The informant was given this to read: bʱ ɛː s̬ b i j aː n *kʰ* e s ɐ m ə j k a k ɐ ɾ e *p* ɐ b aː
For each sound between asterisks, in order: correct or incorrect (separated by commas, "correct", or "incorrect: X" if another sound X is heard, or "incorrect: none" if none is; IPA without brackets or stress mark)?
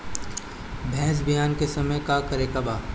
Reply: incorrect: k, incorrect: k